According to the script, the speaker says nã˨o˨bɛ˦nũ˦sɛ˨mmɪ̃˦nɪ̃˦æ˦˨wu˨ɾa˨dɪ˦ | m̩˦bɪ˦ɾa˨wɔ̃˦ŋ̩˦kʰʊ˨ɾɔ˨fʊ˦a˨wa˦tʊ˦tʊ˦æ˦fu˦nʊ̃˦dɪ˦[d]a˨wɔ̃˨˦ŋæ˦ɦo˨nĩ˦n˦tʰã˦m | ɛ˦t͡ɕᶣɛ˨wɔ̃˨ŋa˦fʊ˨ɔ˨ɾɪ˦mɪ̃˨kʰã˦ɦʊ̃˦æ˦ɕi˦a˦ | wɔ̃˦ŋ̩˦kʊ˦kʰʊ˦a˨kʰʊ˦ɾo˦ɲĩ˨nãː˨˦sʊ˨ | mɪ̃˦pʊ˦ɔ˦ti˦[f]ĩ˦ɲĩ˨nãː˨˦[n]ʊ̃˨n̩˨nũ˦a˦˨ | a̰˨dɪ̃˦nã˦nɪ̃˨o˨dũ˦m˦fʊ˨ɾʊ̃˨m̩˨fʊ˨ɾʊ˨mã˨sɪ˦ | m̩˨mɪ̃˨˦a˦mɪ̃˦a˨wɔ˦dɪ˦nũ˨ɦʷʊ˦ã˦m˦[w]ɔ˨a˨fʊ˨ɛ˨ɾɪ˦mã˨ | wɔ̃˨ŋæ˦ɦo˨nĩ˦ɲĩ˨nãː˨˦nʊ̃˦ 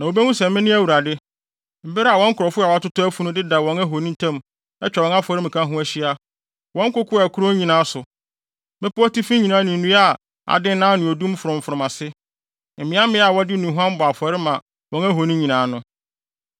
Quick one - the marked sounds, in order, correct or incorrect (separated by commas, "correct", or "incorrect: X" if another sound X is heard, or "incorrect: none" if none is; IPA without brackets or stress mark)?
correct, correct, correct, incorrect: b